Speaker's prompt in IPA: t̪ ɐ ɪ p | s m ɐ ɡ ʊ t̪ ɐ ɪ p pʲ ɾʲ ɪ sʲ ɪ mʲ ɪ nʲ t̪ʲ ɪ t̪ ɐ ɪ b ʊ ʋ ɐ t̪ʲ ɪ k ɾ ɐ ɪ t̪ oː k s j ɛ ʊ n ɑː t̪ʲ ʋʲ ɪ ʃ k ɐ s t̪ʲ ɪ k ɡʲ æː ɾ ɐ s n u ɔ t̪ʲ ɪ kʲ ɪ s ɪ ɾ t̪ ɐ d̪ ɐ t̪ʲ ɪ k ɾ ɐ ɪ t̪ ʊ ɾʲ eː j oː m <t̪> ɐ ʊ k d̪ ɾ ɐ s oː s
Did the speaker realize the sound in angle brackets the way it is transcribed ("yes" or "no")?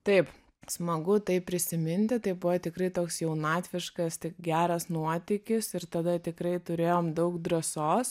no